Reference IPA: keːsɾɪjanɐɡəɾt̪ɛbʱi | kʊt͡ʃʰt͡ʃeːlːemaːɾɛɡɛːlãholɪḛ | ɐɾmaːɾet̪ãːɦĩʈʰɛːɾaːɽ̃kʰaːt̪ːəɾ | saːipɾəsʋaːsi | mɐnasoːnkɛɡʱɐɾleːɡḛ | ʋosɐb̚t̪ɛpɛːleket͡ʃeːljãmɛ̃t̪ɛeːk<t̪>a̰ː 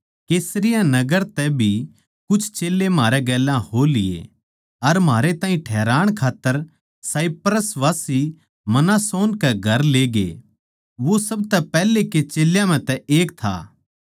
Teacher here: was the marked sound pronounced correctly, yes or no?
no